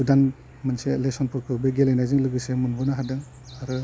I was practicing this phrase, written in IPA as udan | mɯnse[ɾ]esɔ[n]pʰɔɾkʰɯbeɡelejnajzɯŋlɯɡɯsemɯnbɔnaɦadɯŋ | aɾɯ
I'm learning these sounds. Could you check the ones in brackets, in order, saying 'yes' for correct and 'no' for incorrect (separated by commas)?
no, yes